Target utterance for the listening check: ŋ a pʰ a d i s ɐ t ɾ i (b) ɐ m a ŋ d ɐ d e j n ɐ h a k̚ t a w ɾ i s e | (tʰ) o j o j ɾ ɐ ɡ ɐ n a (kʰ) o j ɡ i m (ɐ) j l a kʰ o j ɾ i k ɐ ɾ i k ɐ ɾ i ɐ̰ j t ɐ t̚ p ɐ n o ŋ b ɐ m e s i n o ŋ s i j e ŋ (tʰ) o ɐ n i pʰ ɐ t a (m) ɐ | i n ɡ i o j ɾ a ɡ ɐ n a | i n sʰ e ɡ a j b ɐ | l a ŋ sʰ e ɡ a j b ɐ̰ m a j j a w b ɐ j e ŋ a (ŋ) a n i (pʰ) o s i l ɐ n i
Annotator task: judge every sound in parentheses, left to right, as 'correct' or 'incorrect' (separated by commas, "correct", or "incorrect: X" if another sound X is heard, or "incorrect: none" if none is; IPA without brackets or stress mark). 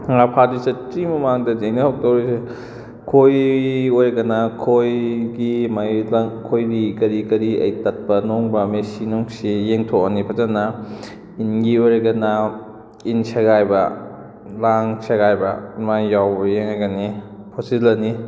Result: incorrect: m, incorrect: kʰ, correct, incorrect: a, correct, incorrect: n, incorrect: ɡ, correct